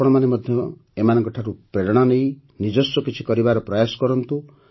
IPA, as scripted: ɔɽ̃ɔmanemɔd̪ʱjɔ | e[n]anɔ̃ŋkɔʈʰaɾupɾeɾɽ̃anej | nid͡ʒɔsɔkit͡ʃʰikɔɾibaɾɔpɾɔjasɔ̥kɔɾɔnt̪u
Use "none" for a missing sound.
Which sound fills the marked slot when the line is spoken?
m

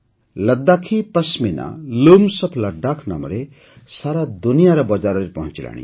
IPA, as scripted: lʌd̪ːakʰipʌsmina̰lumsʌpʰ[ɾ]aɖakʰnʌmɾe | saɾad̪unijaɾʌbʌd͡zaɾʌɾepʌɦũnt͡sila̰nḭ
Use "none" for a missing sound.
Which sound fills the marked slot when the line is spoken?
l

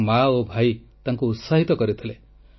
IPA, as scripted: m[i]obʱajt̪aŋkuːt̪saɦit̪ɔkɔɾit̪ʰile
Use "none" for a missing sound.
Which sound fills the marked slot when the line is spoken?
a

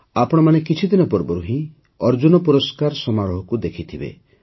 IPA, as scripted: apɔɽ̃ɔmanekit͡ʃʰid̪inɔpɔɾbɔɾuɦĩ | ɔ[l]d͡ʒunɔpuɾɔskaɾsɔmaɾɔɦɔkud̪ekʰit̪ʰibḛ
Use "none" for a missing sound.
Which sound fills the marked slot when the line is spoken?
ɾ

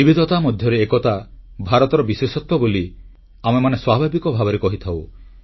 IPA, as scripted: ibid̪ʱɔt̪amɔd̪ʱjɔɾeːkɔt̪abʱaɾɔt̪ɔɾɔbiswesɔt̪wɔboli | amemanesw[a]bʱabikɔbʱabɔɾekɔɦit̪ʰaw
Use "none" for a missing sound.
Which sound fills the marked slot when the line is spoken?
a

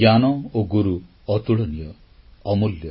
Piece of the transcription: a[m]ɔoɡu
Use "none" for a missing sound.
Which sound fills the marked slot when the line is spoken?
n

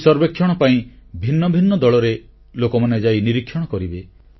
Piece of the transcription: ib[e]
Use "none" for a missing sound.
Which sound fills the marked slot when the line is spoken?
e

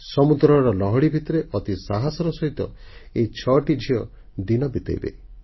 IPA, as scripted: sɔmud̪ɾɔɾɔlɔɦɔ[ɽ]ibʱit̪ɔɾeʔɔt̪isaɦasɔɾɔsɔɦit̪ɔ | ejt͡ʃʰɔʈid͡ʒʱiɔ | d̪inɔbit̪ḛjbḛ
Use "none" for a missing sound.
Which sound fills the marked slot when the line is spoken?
ɽ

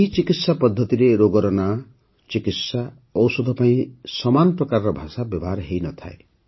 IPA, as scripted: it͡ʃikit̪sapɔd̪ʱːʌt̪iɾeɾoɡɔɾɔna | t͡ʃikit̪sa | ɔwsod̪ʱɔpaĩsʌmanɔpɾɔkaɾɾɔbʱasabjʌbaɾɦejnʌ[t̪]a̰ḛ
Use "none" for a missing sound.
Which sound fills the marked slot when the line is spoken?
t̪ʰ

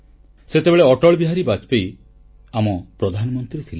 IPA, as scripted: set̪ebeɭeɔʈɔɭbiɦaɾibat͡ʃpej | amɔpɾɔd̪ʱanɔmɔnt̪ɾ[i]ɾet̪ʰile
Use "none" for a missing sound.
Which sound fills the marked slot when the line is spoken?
i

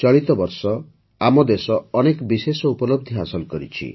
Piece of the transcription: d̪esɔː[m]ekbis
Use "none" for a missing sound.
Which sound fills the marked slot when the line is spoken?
n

